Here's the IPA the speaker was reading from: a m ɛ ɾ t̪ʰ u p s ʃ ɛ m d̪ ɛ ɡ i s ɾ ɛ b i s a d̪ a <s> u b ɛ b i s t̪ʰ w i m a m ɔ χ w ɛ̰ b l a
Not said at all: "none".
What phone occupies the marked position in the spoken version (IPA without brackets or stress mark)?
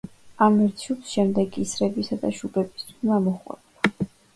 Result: ʃ